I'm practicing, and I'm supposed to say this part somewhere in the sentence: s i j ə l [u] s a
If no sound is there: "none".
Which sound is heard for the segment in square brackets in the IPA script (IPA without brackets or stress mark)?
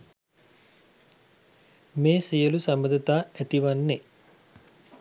u